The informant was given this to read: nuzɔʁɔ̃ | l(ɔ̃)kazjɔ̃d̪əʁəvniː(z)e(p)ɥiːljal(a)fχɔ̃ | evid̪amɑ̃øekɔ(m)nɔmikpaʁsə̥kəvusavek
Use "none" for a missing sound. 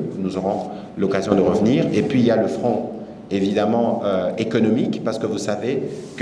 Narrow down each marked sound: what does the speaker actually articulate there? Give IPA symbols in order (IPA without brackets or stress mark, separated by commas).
ɔ, ʁ, p, ə, none